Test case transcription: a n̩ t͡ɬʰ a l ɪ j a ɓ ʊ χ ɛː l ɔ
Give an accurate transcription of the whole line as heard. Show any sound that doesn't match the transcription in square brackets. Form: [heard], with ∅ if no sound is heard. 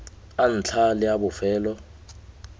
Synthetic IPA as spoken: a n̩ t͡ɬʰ a l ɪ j a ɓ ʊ [f] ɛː l ɔ